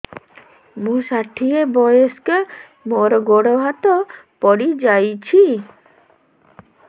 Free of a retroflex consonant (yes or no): no